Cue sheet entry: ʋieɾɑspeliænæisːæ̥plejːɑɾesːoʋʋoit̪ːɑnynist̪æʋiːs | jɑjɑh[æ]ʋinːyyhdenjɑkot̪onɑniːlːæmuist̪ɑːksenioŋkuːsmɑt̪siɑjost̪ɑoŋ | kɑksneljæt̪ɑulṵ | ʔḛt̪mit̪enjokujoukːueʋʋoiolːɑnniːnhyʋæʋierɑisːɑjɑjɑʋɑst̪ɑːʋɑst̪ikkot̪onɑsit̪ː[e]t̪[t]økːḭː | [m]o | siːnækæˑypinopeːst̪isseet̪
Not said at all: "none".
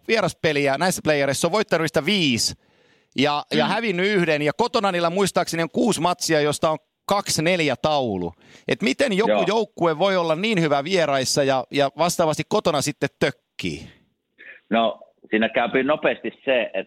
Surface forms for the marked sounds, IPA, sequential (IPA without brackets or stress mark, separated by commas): æ, e, t, n